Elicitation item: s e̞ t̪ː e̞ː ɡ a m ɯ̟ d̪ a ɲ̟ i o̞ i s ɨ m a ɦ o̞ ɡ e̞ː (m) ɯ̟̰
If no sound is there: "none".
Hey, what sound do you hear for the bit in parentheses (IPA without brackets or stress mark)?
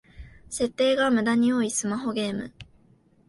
m